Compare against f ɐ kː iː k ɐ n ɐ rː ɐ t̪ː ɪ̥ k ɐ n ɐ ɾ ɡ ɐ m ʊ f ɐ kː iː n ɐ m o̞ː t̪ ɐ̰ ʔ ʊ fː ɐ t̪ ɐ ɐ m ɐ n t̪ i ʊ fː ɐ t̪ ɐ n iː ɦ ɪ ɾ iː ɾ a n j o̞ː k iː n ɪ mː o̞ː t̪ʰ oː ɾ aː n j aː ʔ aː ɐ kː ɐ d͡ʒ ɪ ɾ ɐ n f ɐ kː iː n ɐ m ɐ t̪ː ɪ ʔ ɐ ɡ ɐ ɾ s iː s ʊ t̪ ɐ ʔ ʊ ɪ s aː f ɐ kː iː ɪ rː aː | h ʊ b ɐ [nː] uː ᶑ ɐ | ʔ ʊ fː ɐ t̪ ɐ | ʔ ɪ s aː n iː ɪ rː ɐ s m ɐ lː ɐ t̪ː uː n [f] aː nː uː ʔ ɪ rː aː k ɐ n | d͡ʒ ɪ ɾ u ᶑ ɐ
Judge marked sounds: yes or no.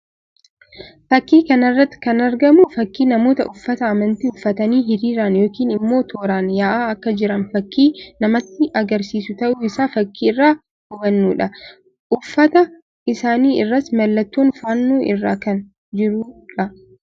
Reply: yes, yes

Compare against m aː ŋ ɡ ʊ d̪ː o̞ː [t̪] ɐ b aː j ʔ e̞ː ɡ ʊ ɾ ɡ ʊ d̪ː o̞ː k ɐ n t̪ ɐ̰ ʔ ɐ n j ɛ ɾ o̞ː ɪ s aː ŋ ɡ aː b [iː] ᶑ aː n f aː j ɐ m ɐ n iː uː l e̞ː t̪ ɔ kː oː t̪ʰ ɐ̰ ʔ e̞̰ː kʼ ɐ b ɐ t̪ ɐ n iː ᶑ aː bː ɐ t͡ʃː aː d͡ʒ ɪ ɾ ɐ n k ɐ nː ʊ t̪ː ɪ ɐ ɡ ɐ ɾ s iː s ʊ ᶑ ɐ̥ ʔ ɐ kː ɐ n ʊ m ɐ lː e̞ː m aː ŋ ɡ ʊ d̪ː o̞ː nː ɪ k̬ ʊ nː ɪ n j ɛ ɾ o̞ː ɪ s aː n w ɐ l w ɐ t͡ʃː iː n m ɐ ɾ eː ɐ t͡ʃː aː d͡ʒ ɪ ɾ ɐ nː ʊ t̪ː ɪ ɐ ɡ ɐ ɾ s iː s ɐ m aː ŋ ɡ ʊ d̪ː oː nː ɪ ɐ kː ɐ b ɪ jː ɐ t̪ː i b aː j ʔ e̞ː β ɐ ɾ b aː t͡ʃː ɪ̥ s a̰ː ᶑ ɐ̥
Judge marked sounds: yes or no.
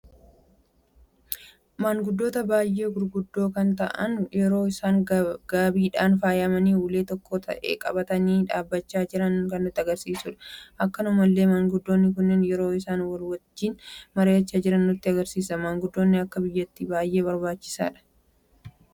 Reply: yes, yes

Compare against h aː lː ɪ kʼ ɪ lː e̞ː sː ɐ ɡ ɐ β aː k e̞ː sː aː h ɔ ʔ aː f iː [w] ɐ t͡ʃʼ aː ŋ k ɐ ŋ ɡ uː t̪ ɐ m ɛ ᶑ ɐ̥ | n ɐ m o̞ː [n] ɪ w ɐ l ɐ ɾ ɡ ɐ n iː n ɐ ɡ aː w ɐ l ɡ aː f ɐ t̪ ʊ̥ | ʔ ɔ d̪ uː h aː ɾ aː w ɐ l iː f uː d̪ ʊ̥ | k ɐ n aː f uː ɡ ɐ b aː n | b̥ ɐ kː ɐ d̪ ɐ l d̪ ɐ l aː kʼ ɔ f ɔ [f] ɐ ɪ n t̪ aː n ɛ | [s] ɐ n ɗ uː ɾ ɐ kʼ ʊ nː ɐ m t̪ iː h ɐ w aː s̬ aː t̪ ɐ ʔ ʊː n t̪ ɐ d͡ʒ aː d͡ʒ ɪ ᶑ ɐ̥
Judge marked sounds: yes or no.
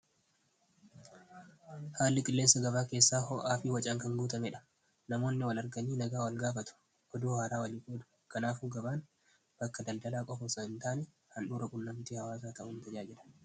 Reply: yes, no, no, no

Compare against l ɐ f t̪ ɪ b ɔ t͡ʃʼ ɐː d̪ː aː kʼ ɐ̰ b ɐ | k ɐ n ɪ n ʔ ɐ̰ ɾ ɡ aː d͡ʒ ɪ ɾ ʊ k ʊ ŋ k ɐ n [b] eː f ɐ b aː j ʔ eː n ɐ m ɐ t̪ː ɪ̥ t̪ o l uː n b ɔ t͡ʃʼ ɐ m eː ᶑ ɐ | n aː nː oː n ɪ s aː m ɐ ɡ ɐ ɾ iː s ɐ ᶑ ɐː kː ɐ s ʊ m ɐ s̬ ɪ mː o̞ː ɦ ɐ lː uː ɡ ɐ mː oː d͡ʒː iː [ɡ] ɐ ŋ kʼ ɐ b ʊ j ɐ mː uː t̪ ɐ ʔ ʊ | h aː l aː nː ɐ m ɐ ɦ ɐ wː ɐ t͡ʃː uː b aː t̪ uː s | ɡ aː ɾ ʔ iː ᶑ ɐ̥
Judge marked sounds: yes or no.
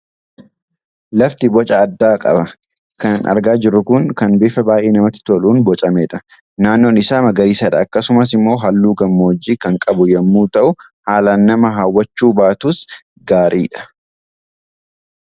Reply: yes, no

